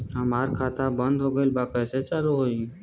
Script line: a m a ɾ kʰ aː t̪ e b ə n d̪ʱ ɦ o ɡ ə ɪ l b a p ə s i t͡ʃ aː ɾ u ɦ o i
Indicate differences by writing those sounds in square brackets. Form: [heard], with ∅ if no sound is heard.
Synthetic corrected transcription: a m a ɾ kʰ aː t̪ [a] b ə n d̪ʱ ɦ o ɡ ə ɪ l b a [k] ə s [e] t͡ʃ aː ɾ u ɦ o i